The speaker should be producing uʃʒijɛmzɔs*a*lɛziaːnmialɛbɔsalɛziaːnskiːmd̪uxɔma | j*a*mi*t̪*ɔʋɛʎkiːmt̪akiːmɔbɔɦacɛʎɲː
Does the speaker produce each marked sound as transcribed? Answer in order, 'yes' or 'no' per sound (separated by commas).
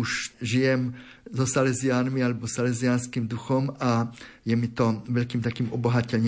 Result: yes, no, yes